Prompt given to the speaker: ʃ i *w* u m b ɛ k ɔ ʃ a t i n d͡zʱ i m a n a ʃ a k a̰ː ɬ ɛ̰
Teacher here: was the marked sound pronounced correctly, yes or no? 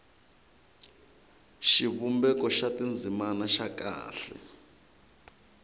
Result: no